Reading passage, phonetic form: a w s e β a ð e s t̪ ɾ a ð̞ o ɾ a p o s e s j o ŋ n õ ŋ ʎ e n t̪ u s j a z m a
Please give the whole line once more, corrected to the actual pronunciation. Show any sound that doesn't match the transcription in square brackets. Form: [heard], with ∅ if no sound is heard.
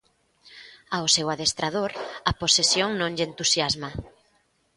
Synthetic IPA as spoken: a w s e [w] a ð e s t̪ ɾ a ð̞ o ɾ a p o s e s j o ŋ n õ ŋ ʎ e n t̪ u s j a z m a